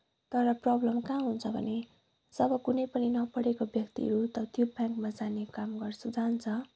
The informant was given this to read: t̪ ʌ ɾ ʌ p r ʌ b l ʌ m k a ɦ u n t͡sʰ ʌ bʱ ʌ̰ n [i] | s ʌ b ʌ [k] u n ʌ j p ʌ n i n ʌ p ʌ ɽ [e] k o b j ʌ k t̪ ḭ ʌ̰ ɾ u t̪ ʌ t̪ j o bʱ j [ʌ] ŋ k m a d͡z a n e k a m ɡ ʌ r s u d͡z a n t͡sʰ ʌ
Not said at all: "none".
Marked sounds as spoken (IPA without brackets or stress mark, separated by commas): e, k, e, a